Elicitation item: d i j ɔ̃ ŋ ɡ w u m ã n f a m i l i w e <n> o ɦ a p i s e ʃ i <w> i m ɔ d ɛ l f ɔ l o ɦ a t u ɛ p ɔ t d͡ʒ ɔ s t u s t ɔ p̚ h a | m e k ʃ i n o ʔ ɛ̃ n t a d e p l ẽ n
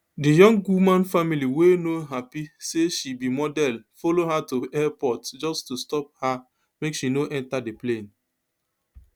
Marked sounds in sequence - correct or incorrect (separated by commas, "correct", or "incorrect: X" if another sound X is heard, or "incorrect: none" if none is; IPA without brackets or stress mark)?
correct, incorrect: b